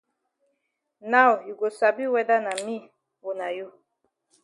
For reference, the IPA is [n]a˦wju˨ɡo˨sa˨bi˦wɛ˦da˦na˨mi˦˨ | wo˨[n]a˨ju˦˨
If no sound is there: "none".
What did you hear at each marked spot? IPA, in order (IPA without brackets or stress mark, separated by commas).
n, n